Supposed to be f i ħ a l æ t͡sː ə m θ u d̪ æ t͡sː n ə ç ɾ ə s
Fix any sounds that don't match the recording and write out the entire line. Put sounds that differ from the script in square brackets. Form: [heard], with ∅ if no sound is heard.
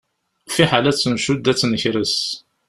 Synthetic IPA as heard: f i ħ a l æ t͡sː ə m [ʃ] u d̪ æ t͡sː n ə ç ɾ ə s